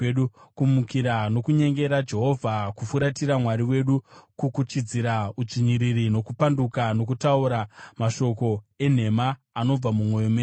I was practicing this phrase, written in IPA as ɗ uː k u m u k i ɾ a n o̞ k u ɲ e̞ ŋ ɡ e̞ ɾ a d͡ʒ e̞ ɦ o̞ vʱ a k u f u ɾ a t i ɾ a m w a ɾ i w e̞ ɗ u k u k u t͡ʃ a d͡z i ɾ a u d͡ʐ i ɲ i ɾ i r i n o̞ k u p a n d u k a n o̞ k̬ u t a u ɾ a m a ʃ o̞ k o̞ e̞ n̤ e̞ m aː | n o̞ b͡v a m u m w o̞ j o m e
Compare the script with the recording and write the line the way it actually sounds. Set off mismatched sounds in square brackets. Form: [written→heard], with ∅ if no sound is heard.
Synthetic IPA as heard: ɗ [uː→u] k u m u k i ɾ a n o̞ k u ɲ e̞ ŋ ɡ e̞ ɾ a d͡ʒ e̞ ɦ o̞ vʱ a k u f u ɾ a t i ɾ a m w a ɾ i w e̞ ɗ u k u k u t͡ʃ [a→i] d͡z i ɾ a u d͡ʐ i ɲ i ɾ i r i n o̞ k u p a n d u k a n o̞ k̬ u t a u ɾ a m a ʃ o̞ k o̞ e̞ n̤ e̞ m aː | n o̞ b͡v a m u m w o̞ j o m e